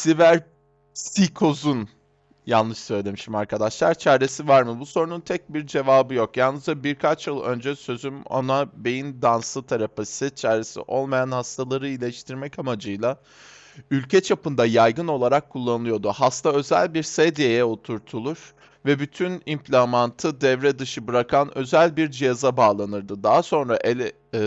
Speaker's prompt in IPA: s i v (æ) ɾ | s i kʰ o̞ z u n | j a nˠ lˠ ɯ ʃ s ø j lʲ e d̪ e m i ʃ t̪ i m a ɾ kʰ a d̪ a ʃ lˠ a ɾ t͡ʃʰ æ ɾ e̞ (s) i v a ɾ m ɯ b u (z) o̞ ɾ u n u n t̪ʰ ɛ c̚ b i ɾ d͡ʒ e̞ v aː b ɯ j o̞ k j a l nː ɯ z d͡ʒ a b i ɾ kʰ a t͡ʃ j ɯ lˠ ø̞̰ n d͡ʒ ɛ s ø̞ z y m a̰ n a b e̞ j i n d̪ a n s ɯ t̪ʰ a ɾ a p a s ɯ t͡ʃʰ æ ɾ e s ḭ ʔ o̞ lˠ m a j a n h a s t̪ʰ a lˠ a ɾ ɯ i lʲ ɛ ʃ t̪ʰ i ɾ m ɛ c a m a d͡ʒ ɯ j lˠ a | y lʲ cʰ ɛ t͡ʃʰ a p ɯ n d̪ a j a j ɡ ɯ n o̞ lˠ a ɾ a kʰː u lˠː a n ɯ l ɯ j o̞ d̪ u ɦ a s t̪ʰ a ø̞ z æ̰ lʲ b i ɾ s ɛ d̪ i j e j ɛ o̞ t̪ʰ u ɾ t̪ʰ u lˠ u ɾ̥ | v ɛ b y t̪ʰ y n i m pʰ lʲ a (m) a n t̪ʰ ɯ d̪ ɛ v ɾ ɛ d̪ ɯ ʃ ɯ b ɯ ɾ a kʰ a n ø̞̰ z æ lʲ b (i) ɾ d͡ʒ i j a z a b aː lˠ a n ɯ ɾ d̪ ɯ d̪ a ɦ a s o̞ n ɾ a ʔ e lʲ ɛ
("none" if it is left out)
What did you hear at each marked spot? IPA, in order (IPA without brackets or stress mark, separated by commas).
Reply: æ, s, s, m, i